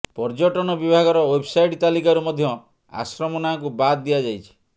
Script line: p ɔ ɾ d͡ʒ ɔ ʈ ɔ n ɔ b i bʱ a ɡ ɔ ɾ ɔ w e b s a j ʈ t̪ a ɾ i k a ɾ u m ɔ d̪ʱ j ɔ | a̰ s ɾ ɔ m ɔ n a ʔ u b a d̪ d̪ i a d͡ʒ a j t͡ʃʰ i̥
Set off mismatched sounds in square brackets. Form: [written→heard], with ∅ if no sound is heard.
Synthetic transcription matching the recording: p ɔ ɾ d͡ʒ ɔ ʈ ɔ n ɔ b i bʱ a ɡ ɔ ɾ ɔ w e b s a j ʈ t̪ a [ɾ→l] i k a ɾ u m ɔ d̪ʱ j ɔ | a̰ s ɾ ɔ m ɔ n a [ʔ→k] u b a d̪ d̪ i a d͡ʒ a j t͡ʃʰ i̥